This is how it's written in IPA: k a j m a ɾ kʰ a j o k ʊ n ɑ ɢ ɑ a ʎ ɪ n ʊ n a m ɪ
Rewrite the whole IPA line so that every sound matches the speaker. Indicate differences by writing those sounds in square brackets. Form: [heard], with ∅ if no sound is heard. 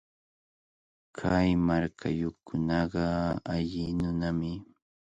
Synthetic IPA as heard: [kʰ] a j m a ɾ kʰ a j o k ʊ n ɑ ɢ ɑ a ʎ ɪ n ʊ n a m ɪ

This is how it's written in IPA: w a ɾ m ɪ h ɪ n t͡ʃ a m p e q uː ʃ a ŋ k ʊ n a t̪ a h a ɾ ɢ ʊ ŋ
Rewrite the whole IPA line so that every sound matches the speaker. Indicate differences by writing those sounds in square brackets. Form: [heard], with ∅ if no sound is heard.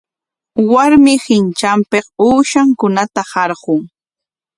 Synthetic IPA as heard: w a ɾ m ɪ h ɪ n t͡ʃ a m p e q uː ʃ a ŋ k ʊ n a t̪ a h [ɑ] ɾ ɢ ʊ ŋ

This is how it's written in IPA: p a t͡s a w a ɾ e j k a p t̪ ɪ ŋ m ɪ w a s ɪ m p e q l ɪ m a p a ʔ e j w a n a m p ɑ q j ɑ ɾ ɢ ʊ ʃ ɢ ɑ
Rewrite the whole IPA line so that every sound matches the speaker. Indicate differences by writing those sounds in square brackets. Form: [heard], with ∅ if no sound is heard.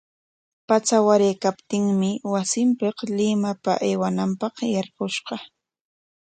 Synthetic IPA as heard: p a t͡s a w a ɾ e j k a p t̪ ɪ ŋ m ɪ w a s ɪ m p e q l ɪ m a p a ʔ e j w a n a m p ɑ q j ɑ ɾ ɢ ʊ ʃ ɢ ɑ

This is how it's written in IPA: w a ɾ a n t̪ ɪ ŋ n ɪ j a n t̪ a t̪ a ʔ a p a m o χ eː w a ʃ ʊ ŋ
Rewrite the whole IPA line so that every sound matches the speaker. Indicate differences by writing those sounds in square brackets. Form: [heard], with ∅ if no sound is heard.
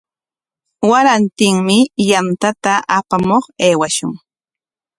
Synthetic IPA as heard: w a ɾ a n t̪ ɪ ŋ [m] ɪ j a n t̪ a t̪ a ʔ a p a m o χ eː w a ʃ ʊ ŋ

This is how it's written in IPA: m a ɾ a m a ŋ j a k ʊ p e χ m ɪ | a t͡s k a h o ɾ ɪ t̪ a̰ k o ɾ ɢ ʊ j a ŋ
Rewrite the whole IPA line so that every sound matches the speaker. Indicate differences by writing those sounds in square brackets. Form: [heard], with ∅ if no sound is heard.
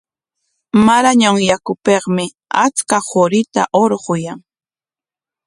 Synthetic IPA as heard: m a ɾ a [ɲ] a ŋ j a k ʊ p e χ m ɪ | a t͡s k a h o ɾ ɪ t̪ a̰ [ʔ] o ɾ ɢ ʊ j a ŋ

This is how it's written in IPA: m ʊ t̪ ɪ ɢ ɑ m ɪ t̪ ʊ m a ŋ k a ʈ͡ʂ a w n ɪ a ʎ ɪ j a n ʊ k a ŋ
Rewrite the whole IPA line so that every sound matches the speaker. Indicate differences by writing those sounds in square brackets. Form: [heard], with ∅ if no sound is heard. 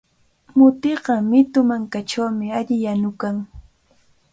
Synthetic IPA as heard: m ʊ t̪ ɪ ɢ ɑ m ɪ t̪ ʊ m a ŋ k a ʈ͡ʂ a w [m] ɪ a ʎ ɪ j a n ʊ k a ŋ

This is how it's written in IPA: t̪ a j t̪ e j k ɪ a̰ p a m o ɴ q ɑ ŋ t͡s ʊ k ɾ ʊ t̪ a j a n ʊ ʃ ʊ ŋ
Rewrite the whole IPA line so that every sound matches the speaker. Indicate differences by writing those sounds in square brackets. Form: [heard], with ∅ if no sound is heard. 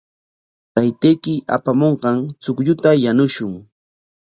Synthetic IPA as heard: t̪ a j t̪ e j k ɪ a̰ p a m o ɴ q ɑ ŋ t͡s ʊ k [ʎ] ʊ t̪ a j a n ʊ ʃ ʊ ŋ

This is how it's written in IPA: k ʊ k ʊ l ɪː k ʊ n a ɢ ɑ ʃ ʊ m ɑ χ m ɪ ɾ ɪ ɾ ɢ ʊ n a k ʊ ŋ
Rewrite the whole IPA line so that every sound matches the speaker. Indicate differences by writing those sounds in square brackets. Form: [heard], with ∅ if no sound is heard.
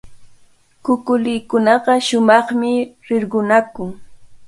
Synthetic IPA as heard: k ʊ k ʊ l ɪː k ʊ n [ɑ] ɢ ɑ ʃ ʊ m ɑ χ m ɪ ɾ ɪ ɾ ɢ ʊ n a k ʊ ŋ

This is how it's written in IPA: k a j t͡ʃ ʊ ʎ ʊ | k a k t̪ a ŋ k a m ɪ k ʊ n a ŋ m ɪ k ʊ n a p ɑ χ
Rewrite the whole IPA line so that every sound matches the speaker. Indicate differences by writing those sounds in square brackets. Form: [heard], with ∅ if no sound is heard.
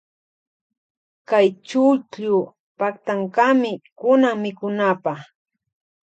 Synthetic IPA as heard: k a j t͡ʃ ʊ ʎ ʊ | [p] a k t̪ a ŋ k a m ɪ k ʊ n a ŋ m ɪ k ʊ n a p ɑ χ

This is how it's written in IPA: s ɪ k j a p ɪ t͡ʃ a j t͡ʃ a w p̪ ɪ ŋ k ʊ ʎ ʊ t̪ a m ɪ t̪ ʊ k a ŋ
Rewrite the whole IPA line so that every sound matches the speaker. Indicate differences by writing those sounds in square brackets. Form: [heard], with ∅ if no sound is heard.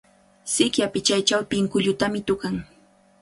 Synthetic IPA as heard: s ɪ k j a p ɪ t͡ʃ a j t͡ʃ a w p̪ ɪ ŋ k ʊ ʎ ʊ t̪ a m ɪ t̪ ʊ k a ŋ

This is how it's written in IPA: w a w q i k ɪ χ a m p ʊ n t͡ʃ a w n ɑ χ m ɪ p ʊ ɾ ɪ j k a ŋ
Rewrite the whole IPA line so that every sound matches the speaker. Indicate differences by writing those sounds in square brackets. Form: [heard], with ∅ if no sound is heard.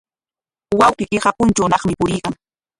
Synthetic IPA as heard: w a w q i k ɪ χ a [∅] p ʊ n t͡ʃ a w n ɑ χ m ɪ p ʊ ɾ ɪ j k a ŋ

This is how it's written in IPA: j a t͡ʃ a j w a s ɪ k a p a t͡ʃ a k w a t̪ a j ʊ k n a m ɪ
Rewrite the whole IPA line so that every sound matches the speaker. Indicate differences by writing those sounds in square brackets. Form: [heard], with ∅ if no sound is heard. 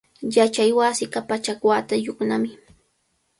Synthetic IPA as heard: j a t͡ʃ a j w a s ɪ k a p a t͡ʃ a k w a t̪ a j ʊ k n a m ɪ

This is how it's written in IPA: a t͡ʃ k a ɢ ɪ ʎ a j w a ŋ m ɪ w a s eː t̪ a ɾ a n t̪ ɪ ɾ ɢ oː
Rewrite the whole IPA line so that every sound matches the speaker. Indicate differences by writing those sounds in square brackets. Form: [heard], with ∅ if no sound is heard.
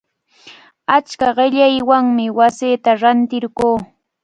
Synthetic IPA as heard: a t͡ʃ k a ɢ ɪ ʎ a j w a ŋ m ɪ w a s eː t̪ a ɾ a n t̪ ɪ ɾ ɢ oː

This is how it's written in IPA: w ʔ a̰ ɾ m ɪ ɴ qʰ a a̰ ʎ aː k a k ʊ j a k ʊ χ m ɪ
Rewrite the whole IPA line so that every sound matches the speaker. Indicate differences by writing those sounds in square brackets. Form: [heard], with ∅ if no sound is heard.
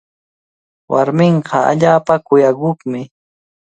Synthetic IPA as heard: w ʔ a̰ ɾ m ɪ ɴ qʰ [ɑ] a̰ ʎ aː [p] a k ʊ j a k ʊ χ m ɪ

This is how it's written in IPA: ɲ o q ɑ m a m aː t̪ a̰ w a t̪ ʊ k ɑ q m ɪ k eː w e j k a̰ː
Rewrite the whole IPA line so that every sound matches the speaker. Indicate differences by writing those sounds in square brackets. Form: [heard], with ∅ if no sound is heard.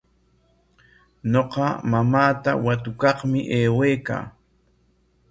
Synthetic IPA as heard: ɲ o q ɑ m a m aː t̪ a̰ w a t̪ ʊ k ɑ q m ɪ [ʔ] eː w e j k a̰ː

